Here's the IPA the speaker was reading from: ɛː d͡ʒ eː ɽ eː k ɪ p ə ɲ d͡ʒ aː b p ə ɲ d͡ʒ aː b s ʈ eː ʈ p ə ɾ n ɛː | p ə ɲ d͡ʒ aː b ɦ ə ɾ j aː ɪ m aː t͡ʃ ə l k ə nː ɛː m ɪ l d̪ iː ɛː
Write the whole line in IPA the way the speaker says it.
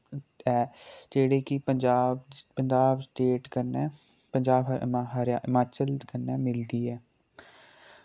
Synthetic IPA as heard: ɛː d͡ʒ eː ɽ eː k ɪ p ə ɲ d͡ʒ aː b p ə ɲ d͡ʒ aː b s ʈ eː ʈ k ə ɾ n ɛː | p ə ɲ d͡ʒ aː b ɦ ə ɾ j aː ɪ m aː t͡ʃ ə l k ə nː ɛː m ɪ l d̪ iː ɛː